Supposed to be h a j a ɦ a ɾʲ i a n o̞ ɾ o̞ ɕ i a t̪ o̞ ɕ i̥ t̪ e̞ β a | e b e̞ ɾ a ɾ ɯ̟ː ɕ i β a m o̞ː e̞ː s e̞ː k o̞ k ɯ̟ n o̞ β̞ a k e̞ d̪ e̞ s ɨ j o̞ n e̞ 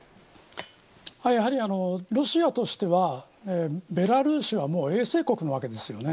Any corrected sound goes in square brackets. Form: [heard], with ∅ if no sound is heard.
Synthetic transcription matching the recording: h a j a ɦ a ɾʲ i a n o̞ ɾ o̞ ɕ i a t̪ o̞ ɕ i̥ t̪ e̞ β a | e b e̞ ɾ a ɾ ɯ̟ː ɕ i β a m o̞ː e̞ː s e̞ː k o̞ k ɯ̟ n o̞ β̞ a k e̞ d̪ e̞ s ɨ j o̞ n e̞